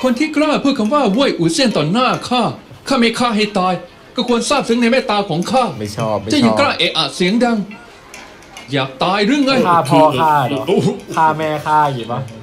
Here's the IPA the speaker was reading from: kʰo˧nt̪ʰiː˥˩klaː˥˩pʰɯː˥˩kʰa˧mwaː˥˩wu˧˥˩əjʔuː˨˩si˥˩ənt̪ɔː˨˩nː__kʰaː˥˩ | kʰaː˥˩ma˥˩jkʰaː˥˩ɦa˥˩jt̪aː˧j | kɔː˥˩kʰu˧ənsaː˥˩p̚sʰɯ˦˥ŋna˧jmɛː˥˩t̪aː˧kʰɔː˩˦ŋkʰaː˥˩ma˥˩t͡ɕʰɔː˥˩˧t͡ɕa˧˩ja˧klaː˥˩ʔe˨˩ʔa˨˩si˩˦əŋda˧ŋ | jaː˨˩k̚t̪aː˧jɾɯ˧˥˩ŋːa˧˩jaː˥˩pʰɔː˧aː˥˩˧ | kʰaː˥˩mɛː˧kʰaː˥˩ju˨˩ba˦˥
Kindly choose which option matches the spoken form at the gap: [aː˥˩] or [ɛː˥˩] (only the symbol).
aː˥˩